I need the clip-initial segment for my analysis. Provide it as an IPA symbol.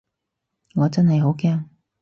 ŋ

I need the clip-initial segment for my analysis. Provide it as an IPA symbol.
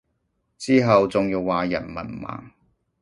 t͡s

